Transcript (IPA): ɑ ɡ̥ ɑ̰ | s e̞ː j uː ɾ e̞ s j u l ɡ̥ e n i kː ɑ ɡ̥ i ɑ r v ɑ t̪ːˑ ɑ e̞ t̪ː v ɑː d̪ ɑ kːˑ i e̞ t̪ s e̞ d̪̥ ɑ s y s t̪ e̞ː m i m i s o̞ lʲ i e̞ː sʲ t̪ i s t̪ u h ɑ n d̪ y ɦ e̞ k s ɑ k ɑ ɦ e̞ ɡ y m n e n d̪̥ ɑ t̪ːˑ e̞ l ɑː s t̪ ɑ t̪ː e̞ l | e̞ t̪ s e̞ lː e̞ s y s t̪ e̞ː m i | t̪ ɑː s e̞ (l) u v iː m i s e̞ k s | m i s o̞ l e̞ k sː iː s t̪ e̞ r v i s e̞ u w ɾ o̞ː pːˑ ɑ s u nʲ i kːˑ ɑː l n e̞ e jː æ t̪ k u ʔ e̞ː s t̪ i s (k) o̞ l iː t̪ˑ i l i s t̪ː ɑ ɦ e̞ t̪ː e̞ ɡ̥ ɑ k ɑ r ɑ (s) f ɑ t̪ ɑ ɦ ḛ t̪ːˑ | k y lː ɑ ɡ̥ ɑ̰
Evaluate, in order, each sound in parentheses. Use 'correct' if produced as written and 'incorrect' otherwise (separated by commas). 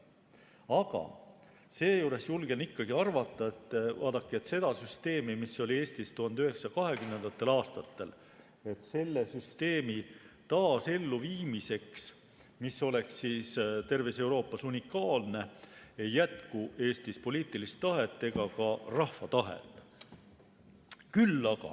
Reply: incorrect, incorrect, incorrect